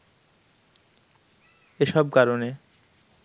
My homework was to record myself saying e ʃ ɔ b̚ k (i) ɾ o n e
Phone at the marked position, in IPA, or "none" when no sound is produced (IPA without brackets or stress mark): a